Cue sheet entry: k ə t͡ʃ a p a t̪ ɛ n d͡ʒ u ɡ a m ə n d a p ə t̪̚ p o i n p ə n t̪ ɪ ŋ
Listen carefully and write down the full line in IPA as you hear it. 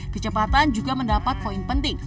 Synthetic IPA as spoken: k ə t͡ʃ ə p a t̪ a n d͡ʒ u ɡ a m ə n d a p a t̪̚ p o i n p ə n t̪ ɪ ŋ